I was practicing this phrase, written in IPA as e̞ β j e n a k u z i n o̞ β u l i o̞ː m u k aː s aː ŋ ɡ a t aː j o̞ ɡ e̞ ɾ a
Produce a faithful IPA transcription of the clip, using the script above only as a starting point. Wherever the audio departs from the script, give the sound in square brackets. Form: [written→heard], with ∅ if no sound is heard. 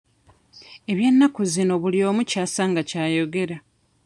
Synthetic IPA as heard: e̞ β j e [n→nː] a k u z i n o̞ β u l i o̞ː m u [k→c] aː s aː ŋ ɡ a [t→c] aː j o̞ ɡ e̞ ɾ a